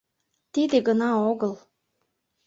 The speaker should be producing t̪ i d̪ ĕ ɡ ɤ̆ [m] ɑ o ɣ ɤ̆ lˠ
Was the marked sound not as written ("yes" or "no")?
yes